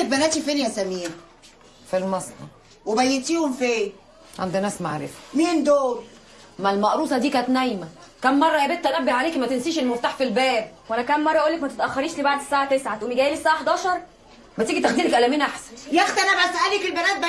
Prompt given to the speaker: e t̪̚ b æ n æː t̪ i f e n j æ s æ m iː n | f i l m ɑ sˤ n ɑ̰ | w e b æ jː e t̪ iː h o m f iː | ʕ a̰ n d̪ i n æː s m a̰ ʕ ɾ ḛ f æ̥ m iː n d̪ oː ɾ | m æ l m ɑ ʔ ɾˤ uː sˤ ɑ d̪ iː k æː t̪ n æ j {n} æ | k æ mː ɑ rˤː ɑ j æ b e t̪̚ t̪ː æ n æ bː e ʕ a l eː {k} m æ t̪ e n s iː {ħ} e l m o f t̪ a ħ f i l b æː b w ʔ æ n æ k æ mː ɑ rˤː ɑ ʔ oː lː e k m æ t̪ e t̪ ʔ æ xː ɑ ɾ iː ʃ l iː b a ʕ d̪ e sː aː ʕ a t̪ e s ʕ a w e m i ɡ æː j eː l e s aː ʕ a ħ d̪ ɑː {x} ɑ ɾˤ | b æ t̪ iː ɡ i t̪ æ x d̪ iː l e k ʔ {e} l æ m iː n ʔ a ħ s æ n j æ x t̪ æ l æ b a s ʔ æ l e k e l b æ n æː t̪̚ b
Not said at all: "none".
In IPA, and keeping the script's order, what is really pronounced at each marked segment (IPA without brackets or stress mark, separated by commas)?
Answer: m, k, ʃ, ʃ, æ